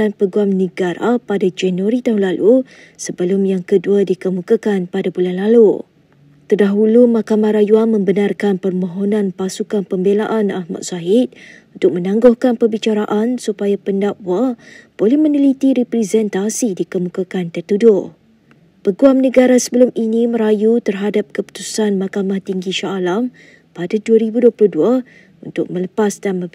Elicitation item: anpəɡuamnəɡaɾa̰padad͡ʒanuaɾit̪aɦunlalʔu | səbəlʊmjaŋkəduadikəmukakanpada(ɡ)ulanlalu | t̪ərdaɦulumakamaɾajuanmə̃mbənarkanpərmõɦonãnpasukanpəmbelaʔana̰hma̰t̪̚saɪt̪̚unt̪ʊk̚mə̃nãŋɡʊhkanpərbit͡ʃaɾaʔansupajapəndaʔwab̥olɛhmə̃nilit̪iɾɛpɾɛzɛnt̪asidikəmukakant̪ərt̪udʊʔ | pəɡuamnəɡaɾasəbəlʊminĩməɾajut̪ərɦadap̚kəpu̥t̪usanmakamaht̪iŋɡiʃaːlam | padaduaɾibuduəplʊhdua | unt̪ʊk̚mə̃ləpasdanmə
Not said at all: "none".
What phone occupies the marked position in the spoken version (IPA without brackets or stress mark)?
b